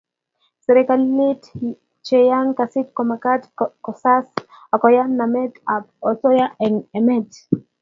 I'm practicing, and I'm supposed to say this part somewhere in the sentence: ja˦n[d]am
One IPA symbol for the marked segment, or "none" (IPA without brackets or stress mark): n